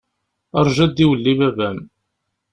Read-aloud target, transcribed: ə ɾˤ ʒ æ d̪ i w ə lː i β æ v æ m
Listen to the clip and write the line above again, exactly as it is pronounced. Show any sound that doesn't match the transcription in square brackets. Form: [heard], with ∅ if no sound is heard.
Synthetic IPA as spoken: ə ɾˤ ʒ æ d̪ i w ə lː i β æ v æ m